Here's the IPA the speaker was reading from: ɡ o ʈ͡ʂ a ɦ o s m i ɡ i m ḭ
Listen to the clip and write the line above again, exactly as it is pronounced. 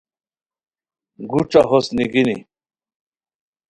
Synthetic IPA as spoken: ɡ u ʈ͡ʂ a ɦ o s n i ɡ i n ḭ